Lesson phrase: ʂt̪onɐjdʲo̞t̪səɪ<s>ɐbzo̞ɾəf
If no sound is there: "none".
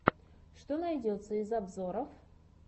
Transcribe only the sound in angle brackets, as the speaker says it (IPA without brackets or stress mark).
z